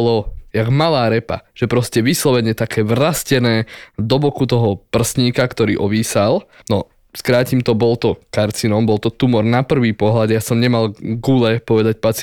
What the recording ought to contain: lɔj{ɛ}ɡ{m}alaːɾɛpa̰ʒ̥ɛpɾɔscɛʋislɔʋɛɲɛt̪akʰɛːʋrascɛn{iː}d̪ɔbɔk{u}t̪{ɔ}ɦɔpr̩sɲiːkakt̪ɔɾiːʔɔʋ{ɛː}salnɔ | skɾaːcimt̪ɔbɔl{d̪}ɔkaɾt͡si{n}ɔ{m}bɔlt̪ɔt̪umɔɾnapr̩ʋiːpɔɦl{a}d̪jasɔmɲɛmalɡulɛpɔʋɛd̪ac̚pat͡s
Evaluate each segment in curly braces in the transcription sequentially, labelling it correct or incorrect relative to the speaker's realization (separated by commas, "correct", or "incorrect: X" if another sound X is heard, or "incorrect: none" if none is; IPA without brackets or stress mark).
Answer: incorrect: a, correct, incorrect: ɛː, correct, correct, incorrect: iː, incorrect: t̪, correct, correct, correct